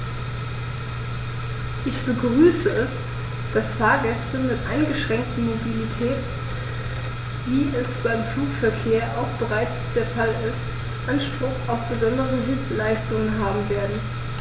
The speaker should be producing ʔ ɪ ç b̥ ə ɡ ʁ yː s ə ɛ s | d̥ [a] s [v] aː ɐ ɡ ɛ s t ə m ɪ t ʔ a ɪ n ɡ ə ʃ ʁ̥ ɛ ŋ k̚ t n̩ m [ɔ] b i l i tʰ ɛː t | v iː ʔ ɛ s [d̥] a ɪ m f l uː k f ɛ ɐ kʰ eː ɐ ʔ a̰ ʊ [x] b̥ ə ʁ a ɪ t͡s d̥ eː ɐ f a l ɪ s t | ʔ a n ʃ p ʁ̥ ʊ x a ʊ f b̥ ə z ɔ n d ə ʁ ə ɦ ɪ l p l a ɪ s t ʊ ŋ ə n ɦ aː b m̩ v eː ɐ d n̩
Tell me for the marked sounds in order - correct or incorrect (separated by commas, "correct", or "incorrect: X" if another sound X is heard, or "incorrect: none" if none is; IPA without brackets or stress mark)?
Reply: correct, incorrect: f, incorrect: o, incorrect: b̥, correct